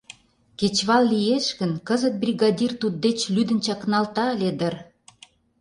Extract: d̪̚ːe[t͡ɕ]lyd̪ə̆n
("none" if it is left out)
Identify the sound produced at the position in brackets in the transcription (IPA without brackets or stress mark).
t͡ɕ